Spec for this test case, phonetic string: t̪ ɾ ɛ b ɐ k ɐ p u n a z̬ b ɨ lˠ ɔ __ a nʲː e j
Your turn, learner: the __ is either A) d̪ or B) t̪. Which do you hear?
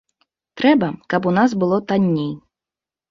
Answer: B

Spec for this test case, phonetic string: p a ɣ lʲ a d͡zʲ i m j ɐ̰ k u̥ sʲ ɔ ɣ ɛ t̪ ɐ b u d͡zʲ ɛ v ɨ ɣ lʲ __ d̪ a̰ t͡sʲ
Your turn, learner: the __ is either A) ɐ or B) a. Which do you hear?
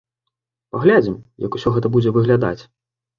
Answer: B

